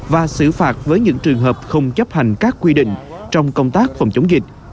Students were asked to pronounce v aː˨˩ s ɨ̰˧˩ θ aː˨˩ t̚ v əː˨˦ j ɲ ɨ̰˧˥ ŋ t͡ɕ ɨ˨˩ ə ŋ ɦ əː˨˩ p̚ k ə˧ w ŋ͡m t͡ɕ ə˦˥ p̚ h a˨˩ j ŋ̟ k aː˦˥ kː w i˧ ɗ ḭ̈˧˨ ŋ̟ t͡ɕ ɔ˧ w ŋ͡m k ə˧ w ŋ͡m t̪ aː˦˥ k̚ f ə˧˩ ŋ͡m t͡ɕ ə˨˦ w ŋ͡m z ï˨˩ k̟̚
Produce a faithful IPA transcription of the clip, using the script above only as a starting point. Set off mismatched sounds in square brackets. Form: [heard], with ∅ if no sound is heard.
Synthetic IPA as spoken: v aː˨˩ s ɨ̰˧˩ [f] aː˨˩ t̚ v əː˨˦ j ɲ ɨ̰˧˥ ŋ t͡ɕ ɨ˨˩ ə ŋ ɦ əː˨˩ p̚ [x] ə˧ w ŋ͡m t͡ɕ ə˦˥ p̚ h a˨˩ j ŋ̟ k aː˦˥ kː w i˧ ɗ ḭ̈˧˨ ŋ̟ t͡ɕ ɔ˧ w ŋ͡m k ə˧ w ŋ͡m t̪ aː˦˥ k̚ f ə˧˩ ŋ͡m t͡ɕ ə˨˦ w ŋ͡m z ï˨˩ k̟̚